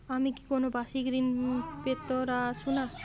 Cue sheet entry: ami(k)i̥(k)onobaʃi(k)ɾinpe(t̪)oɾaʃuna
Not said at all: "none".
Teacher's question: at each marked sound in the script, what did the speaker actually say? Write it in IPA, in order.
k, k, ɡ, t̪

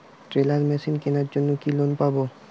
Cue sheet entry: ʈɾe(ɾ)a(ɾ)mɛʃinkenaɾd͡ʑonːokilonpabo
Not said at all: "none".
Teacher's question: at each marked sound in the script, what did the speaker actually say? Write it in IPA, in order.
l, ɾ

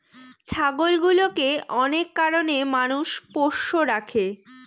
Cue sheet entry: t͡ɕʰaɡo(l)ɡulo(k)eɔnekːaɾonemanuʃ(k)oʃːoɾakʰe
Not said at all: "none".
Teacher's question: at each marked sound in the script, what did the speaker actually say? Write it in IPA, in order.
l, k, p

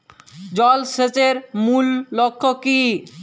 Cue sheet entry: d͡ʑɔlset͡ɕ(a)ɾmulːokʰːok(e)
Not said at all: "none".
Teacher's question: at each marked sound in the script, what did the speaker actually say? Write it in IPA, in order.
e, i

